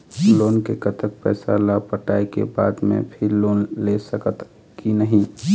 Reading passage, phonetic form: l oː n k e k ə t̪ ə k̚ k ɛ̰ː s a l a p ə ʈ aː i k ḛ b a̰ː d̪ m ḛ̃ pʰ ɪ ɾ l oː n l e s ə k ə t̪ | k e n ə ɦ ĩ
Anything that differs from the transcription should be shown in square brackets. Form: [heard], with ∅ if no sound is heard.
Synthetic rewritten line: l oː n k e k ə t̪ ə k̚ [p] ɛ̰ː s a l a p ə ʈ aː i k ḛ b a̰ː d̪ m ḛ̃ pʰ ɪ ɾ l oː n l e s ə k ə t̪ | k [i] n ə ɦ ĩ